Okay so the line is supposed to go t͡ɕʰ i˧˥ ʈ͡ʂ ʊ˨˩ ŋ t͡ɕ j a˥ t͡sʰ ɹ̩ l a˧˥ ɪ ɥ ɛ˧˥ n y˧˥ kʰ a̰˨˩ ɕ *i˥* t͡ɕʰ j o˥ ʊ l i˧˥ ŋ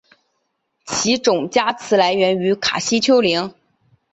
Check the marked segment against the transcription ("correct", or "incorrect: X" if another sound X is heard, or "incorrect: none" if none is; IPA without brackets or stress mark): correct